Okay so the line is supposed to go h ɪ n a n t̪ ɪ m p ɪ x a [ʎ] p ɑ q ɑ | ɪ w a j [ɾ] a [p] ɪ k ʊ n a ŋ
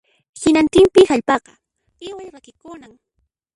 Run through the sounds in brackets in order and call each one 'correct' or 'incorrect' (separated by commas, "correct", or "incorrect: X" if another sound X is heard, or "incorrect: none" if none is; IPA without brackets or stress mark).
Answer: correct, correct, incorrect: k